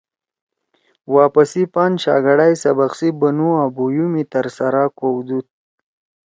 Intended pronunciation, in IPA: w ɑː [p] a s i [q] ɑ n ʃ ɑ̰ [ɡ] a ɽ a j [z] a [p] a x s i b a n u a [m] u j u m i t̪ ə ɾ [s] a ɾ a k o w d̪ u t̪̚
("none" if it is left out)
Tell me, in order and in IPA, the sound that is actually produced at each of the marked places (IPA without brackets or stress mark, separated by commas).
p, p, ɡ, s, b, b, s